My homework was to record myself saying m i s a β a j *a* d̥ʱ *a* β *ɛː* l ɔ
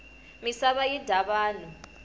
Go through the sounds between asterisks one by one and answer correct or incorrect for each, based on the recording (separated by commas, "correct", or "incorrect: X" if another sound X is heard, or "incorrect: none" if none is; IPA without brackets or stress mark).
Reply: incorrect: i, correct, incorrect: aː